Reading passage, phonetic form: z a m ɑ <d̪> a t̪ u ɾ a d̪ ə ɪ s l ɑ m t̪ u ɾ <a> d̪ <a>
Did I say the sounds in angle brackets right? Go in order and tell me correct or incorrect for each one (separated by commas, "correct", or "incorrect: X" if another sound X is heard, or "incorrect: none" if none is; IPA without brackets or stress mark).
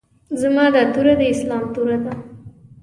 correct, correct, correct